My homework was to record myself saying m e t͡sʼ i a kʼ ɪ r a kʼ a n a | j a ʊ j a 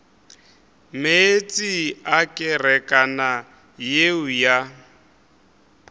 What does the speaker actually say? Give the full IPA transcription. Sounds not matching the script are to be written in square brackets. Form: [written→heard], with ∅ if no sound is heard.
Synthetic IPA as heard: m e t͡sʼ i a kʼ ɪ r [a→ɛ] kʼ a n a | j [a→e] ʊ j a